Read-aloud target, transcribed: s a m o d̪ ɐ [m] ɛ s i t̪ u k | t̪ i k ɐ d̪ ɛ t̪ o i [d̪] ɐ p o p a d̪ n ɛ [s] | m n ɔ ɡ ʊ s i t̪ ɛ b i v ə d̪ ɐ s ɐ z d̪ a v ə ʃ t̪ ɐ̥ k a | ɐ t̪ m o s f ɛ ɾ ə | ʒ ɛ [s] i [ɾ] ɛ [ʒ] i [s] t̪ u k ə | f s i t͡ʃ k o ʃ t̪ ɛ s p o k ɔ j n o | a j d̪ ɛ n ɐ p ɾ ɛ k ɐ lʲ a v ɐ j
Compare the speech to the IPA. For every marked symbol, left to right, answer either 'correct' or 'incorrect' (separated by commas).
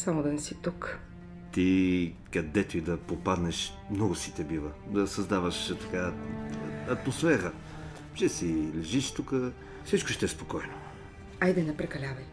incorrect, correct, incorrect, correct, incorrect, correct, incorrect